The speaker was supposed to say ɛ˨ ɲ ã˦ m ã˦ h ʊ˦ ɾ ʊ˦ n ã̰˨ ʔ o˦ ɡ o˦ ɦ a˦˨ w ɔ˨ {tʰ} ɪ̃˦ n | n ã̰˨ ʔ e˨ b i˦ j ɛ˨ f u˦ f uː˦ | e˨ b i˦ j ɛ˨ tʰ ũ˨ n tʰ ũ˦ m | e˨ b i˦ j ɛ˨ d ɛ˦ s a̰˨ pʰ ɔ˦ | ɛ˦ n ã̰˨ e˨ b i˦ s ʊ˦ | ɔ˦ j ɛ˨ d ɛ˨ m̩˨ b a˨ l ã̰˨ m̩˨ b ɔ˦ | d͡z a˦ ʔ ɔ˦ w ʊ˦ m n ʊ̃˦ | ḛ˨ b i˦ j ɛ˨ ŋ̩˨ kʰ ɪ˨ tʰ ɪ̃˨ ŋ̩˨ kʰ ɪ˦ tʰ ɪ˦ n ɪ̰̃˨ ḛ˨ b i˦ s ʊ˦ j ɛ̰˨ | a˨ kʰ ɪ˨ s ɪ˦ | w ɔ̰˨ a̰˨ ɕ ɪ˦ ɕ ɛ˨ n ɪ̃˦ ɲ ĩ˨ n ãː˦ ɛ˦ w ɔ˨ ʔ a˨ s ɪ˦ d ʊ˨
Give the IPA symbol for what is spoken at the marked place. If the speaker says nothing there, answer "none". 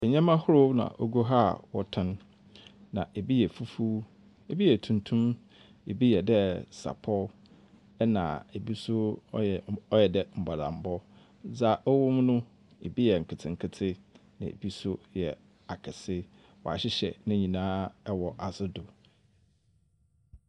tʰ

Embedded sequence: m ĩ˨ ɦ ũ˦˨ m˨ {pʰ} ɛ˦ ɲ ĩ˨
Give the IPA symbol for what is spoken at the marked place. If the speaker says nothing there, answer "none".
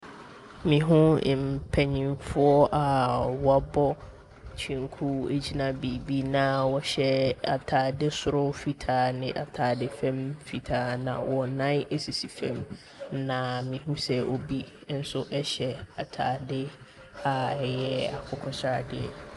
pʰ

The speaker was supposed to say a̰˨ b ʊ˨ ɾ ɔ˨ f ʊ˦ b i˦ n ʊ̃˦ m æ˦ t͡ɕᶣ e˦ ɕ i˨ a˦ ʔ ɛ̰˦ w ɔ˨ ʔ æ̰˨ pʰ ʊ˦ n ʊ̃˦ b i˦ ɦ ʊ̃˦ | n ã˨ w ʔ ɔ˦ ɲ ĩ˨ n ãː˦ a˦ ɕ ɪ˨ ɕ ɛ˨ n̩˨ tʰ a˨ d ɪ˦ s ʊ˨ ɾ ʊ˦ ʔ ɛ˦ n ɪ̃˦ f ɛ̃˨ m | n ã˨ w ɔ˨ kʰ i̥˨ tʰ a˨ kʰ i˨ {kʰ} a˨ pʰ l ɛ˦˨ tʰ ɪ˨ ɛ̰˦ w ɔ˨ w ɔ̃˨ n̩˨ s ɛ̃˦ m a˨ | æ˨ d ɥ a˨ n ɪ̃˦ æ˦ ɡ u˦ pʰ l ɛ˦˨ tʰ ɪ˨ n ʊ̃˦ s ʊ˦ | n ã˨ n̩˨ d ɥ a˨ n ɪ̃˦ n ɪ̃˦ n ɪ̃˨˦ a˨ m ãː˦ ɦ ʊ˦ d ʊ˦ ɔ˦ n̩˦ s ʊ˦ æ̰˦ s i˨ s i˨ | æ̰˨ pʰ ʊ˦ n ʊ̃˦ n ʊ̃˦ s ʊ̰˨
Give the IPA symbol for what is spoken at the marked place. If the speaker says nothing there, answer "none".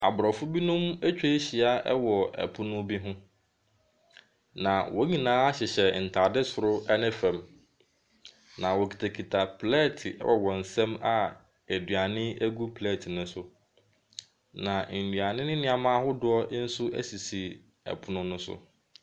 tʰ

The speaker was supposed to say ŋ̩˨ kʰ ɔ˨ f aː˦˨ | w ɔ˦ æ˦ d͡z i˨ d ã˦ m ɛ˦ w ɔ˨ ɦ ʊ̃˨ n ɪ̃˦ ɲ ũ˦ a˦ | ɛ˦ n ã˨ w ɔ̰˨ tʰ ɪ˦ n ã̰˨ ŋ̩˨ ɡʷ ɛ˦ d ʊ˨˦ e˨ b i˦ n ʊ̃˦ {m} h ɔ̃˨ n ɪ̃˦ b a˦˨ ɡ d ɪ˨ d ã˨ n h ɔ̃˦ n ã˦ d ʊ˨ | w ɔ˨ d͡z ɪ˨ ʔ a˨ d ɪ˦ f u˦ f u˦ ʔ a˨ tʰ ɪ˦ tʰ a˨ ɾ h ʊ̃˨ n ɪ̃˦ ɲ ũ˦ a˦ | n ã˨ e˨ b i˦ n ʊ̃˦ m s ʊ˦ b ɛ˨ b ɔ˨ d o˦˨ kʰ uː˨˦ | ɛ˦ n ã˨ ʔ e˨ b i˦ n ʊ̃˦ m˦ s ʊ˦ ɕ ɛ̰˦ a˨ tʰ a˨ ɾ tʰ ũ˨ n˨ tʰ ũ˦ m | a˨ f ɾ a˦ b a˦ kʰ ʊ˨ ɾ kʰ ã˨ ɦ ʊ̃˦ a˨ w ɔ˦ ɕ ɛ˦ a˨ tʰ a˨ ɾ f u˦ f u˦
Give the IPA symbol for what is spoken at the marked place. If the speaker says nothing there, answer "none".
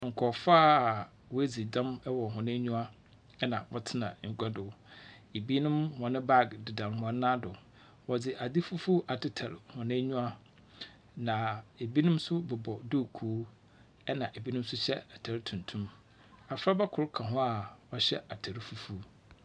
m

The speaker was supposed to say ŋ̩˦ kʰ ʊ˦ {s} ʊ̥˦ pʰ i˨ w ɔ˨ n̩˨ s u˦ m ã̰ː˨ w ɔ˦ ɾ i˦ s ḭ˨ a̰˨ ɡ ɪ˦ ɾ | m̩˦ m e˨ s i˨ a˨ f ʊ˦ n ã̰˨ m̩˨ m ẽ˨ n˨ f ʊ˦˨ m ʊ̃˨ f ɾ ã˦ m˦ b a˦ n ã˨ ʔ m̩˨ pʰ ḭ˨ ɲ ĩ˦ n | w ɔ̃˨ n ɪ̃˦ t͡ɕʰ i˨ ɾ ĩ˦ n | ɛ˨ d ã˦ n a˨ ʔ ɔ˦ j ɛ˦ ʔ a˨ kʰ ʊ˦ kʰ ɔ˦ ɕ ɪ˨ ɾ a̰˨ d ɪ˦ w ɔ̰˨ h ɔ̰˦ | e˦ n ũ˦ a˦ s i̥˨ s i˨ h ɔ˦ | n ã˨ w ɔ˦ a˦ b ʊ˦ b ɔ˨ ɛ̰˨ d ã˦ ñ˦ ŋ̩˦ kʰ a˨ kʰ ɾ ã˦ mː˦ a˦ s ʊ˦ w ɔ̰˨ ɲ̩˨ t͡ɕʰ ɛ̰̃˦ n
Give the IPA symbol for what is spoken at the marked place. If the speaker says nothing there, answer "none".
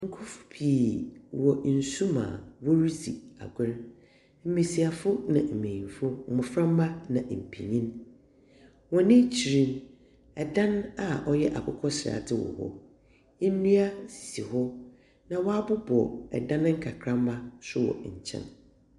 f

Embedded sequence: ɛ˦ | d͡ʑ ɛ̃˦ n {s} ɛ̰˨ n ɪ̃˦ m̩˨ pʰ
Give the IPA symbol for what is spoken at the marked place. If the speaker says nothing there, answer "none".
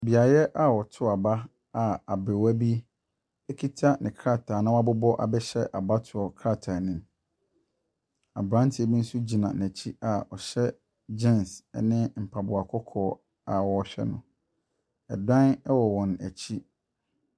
s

